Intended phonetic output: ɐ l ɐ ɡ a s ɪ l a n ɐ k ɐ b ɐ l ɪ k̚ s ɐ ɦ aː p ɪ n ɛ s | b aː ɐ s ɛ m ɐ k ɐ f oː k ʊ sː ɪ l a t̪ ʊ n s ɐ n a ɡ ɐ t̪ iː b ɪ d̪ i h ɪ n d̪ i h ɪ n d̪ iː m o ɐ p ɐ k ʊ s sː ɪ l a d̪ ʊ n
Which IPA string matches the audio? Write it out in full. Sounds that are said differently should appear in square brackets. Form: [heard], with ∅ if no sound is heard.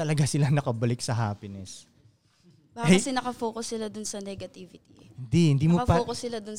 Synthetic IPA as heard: ɐ l ɐ ɡ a s ɪ l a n ɐ k ɐ b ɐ l ɪ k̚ s ɐ ɦ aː p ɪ n ɛ s | b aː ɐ s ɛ [n] ɐ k ɐ f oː k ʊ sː ɪ l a [d̪] ʊ n s ɐ n [ɛ] ɡ ɐ t̪ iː [v] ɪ [t̪] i h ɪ n d̪ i h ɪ n d̪ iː m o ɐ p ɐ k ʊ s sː ɪ l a d̪ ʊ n